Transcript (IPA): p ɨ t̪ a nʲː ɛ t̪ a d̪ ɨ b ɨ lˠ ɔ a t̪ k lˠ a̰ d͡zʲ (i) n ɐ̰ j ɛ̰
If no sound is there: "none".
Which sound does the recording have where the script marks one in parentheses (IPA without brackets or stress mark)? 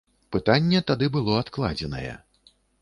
ɛ